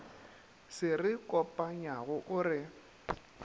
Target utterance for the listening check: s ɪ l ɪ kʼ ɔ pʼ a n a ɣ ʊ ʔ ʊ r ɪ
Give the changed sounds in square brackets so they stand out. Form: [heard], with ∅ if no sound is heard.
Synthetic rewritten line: s ɪ [r] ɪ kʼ ɔ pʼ a [ɲ] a ɣ ʊ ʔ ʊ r ɪ